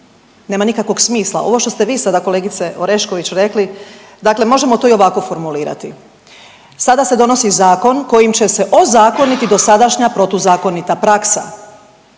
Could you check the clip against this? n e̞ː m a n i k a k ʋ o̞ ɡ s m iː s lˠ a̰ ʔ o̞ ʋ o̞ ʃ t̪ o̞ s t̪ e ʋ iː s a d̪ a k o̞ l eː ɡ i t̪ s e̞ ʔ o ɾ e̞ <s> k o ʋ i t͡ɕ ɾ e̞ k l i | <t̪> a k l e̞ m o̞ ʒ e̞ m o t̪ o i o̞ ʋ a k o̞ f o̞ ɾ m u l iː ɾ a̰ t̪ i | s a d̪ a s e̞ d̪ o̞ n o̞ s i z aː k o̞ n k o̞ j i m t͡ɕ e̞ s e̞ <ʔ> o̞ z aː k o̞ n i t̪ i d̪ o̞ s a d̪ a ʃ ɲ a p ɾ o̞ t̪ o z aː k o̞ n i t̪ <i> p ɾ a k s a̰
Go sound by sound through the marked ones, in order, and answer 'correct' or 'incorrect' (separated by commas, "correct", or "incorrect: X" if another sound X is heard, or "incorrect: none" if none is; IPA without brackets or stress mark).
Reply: incorrect: ʃ, incorrect: d̪, correct, incorrect: a